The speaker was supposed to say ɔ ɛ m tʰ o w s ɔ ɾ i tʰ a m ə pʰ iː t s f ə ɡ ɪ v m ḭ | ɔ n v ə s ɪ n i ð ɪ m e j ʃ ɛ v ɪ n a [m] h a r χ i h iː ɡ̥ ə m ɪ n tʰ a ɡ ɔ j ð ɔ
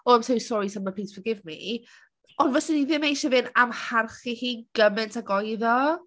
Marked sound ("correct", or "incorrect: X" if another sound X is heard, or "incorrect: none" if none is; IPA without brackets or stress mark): correct